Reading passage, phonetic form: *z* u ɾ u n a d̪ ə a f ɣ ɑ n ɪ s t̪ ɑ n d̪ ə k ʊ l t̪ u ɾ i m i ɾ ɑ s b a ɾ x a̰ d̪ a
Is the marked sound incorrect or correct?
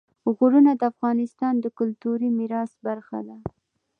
incorrect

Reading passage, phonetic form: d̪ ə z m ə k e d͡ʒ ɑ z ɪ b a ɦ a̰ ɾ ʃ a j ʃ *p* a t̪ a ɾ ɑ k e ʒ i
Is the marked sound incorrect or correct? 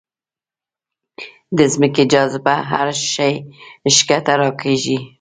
incorrect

